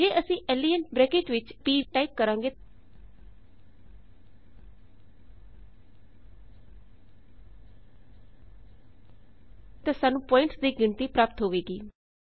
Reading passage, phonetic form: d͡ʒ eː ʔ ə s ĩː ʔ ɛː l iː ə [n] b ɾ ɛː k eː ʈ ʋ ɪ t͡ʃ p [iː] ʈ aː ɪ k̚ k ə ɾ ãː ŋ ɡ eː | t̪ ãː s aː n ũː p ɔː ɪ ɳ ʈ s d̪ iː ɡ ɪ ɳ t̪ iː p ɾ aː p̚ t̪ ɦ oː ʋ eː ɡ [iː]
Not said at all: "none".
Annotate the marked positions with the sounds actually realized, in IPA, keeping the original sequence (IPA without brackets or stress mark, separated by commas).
n, iː, iː